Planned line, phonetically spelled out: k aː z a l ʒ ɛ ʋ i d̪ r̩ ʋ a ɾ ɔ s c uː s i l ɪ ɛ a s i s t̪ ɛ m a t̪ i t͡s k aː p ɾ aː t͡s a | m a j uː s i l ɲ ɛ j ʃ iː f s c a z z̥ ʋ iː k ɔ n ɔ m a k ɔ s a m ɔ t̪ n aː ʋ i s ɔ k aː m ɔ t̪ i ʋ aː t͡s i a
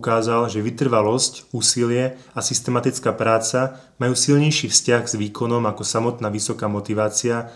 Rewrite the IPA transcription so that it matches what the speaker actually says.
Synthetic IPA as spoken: k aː z a l ʒ ɛ ʋ i t̪ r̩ ʋ a l ɔ s c uː s i l ɪ ɛ a s i s t̪ ɛ m a t̪ i t͡s k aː p ɾ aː t͡s a | m a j uː s i l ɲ ɛ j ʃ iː f s c a ɣ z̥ ʋ iː k ɔ n ɔ m a k ɔ s a m ɔ t̪ n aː ʋ i s ɔ k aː m ɔ t̪ i ʋ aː t͡s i a